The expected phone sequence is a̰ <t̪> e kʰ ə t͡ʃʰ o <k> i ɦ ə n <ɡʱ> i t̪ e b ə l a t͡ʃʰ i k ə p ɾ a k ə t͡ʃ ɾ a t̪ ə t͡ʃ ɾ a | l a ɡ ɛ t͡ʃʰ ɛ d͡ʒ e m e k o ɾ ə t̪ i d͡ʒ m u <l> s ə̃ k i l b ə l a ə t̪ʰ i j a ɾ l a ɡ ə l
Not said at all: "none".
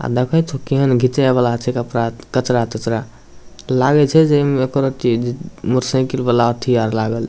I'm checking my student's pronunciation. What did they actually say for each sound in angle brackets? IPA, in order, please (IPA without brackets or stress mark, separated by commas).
d̪, k, ɡʱ, ɾ